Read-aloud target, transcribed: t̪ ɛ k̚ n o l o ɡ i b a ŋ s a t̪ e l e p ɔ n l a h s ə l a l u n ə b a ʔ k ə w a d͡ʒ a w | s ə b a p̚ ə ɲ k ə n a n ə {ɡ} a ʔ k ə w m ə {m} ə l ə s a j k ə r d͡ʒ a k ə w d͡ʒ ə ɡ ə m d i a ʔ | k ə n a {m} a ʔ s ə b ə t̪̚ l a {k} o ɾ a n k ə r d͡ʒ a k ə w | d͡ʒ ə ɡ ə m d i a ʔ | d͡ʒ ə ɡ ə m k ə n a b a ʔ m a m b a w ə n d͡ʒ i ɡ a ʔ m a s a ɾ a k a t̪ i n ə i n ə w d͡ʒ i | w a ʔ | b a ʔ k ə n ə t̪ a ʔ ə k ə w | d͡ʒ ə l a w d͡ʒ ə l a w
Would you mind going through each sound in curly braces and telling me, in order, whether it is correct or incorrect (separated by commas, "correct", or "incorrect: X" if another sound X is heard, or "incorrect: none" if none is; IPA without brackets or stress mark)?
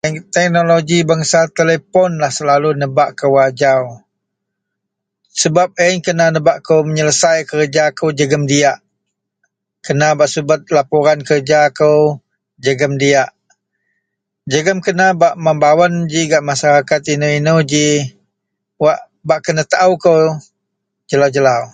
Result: incorrect: b, incorrect: ɲ, incorrect: b, incorrect: p